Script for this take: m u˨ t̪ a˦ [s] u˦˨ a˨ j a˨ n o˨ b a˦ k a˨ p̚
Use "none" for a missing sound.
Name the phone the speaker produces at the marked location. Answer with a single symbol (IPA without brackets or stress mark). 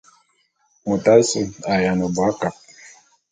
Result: s